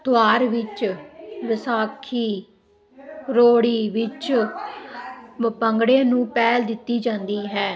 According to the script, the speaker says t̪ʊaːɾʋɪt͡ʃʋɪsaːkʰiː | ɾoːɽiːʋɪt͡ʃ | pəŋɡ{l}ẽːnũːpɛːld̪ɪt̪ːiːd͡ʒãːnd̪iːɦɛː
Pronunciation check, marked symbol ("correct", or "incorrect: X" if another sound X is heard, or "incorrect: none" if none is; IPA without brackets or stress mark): incorrect: ɽ